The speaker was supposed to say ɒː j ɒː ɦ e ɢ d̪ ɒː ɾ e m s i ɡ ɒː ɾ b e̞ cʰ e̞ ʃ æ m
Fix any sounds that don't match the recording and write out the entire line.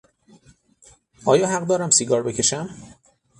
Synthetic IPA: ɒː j ɒː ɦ æ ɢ d̪ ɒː ɾ æ m s i ɡ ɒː ɾ b e̞ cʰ e̞ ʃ æ m

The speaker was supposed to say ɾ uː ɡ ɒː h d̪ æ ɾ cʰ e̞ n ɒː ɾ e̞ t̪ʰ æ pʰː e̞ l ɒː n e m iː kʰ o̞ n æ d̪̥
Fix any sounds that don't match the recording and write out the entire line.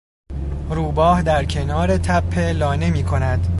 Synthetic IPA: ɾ uː b ɒː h d̪ æ ɾ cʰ e̞ n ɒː ɾ e̞ t̪ʰ æ pʰː e̞ l ɒː n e m iː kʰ o̞ n æ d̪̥

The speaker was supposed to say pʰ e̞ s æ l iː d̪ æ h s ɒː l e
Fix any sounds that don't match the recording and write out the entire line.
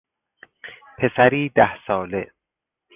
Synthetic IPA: pʰ e̞ s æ ɾ iː d̪ æ h s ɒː l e

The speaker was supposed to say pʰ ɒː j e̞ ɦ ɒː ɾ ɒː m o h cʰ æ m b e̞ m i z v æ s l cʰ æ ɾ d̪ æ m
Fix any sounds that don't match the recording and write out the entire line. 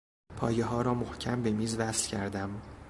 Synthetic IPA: pʰ ɒː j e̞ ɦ ɒː ɾ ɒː m o h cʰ æ m b e̞ m iː z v æ s l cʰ æ ɾ d̪ æ m

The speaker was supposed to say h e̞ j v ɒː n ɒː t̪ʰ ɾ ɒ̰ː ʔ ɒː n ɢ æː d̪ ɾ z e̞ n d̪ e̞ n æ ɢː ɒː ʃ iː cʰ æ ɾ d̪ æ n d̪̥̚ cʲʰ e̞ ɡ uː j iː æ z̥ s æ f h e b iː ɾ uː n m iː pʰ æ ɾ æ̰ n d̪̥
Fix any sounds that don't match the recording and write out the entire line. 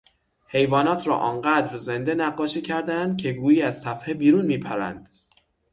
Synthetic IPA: h e̞ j v ɒː n ɒː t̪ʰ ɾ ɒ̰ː ʔ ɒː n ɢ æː d̪ ɾ z e̞ n d̪ e̞ n æ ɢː ɒː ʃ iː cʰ æ ɾ d̪ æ n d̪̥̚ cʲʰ e̞ ɡ uː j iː æ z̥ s æ f h e b iː ɾ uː n m iː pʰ æ ɾ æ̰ n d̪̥

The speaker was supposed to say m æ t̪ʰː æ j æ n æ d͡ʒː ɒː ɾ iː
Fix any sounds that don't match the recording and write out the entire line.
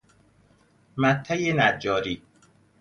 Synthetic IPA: m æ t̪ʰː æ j e n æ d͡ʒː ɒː ɾ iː

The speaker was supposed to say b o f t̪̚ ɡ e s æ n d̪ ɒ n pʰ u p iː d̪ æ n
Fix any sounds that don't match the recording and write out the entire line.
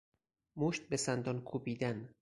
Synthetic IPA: m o ʃ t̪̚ b e s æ n d̪ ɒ n kʰ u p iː d̪ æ n

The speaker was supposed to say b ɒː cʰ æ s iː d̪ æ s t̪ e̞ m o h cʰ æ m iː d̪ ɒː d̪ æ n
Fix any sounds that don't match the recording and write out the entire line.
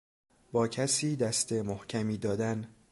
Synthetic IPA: b ɒː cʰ æ s iː d̪ æ s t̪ e̞ m o h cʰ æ m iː d̪ ɒː d̪ æ n

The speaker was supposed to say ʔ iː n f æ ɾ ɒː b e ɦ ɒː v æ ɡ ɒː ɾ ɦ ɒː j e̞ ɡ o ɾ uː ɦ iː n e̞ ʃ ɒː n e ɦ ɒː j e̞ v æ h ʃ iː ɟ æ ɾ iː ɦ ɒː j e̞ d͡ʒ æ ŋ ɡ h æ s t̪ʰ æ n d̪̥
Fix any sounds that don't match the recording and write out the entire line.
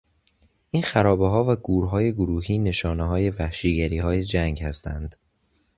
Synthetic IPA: ʔ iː n x æ ɾ ɒː b e ɦ ɒː v æ ɡ uː ɾ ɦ ɒː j e̞ ɡ o ɾ uː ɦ iː n e̞ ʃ ɒː n e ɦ ɒː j e̞ v æ h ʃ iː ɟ æ ɾ iː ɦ ɒː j e̞ d͡ʒ æ ŋ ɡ h æ s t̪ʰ æ n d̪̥

